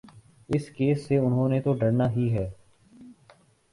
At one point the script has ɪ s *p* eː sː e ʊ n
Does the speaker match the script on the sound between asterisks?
no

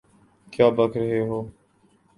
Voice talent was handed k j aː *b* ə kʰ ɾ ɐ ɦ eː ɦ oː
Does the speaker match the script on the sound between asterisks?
yes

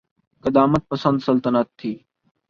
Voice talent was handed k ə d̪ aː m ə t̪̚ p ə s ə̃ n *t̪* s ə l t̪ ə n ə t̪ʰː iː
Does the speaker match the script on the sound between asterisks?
no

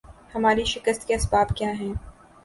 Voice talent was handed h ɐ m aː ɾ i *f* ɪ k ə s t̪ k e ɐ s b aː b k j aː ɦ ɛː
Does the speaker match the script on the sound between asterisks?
no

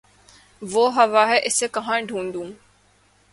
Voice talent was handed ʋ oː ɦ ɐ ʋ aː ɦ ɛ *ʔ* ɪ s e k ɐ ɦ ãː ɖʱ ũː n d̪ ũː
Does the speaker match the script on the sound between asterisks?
yes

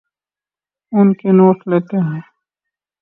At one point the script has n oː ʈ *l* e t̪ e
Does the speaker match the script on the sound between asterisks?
yes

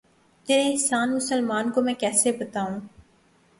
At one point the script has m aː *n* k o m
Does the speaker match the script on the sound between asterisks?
yes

